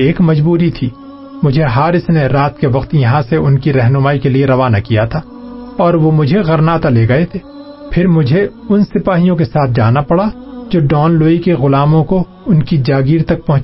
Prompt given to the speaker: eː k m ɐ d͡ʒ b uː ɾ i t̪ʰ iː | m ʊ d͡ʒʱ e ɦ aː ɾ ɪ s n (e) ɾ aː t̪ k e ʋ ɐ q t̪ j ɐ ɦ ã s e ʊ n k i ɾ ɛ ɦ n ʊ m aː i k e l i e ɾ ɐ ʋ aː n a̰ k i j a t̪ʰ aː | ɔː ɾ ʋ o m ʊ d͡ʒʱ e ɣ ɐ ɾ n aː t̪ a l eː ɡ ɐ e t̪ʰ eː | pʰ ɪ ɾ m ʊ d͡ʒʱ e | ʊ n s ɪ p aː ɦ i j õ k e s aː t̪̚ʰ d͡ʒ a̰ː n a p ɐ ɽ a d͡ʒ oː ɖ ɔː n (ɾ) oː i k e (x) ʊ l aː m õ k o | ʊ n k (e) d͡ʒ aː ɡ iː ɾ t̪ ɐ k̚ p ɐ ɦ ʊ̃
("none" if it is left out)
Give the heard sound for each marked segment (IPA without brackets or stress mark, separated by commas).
e, l, ɣ, i